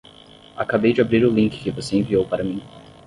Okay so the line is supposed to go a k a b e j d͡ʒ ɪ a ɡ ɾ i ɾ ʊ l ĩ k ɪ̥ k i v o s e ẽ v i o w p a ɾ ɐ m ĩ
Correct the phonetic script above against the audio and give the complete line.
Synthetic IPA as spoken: a k a b e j d͡ʒ ɪ a b ɾ i ɾ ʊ l ĩ k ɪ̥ k ɪ v o s e ẽ v i o w p a ɾ ɐ m ĩ